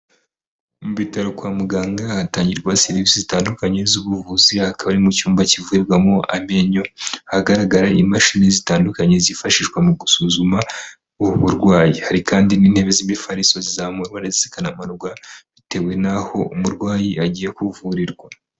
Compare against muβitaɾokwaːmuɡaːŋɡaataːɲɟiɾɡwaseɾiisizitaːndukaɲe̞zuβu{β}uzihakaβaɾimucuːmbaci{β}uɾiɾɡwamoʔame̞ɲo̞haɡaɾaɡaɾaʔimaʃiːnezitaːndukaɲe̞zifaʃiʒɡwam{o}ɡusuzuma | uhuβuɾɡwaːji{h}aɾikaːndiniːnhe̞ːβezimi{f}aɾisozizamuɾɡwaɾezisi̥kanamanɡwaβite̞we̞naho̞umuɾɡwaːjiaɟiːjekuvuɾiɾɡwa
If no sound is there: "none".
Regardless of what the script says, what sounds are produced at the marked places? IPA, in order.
v, v, u, h, f

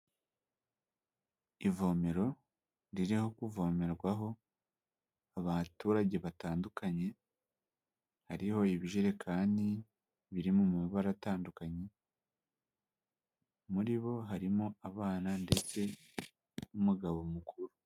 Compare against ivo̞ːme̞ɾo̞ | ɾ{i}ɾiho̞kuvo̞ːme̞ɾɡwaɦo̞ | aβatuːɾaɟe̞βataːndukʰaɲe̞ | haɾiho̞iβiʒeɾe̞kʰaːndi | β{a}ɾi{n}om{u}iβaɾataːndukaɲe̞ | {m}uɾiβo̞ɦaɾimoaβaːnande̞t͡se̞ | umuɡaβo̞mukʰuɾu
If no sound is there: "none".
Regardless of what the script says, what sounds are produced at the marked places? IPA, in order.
i, i, m, u, m

